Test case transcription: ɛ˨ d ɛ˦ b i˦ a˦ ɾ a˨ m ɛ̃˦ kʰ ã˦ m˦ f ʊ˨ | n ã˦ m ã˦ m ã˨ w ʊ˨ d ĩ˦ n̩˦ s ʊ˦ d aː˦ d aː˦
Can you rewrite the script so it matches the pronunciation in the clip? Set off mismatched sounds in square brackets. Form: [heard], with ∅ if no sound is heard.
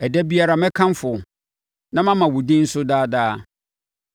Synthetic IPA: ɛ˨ d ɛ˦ b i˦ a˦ ɾ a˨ m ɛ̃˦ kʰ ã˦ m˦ f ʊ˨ | n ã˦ m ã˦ m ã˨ w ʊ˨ d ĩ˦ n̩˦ s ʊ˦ d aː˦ d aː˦